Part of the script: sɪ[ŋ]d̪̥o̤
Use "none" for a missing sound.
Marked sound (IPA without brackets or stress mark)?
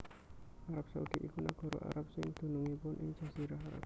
ŋ